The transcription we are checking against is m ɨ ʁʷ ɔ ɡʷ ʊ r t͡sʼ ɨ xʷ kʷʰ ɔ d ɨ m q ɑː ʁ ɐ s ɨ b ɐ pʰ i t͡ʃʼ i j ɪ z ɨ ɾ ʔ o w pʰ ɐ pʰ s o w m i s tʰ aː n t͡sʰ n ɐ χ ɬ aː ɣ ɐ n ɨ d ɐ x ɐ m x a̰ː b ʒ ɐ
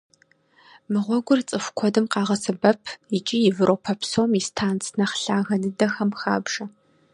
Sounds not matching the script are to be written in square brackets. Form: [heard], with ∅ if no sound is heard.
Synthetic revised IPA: m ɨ ʁʷ ɔ ɡʷ ʊ r t͡sʼ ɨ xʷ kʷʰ ɔ d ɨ m q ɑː ʁ ɐ s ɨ b ɐ pʰ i t͡ʃʼ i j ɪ [v] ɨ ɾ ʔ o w pʰ ɐ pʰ s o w m i s tʰ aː n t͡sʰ n ɐ χ ɬ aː ɣ ɐ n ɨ d ɐ x ɐ m x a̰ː b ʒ ɐ